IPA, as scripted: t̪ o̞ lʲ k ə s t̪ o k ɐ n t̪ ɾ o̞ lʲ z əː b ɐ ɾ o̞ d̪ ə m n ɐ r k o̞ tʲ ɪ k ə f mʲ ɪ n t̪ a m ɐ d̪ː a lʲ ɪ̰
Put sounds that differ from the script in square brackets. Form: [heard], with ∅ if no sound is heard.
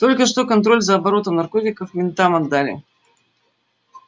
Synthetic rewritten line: t̪ o̞ lʲ k ə [ʂ] t̪ o k ɐ n t̪ ɾ o̞ lʲ z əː b ɐ ɾ o̞ [t̪] ə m n ɐ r k o̞ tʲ ɪ k ə f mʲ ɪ n t̪ a m ɐ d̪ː a lʲ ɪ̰